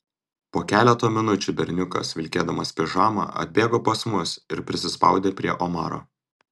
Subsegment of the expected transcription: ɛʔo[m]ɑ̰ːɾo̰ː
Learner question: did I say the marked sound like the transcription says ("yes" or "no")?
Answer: yes